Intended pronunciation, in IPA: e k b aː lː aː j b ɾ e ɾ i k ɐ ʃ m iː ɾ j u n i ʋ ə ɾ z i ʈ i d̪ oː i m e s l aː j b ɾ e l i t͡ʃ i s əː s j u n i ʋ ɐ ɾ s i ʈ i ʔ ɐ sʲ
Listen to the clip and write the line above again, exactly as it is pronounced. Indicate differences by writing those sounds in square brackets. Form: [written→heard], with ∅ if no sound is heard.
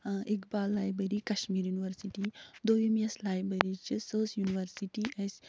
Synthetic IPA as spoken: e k b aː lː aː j b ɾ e ɾ i k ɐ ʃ m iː ɾ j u n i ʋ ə ɾ [z→s] i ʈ i d̪ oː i m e s l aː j b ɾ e [l→ɾ] i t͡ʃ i s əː s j u n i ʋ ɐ ɾ s i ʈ i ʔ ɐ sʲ